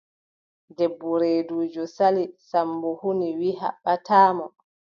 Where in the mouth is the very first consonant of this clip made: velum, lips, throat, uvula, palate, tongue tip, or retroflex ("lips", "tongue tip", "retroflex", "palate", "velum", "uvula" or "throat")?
tongue tip